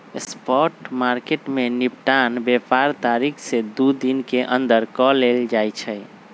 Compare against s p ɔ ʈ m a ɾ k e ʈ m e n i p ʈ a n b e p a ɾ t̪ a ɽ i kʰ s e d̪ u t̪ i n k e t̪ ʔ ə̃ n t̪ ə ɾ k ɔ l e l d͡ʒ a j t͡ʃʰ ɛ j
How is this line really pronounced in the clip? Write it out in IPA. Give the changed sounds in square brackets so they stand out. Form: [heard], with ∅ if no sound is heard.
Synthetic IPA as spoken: s p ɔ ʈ m a ɾ k e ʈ m e n i p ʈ a n b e p a ɾ t̪ a [ɾ] i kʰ s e d̪ u [d̪] i n k e [∅] ʔ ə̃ n [d̪] ə ɾ k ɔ l e l d͡ʒ a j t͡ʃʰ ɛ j